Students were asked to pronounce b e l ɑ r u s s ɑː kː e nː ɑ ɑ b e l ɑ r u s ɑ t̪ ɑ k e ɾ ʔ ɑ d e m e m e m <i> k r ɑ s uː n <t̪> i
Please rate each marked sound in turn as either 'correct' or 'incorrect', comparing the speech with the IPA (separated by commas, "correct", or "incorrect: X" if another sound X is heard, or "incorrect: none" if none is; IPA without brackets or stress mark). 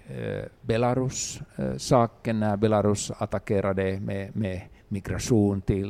correct, correct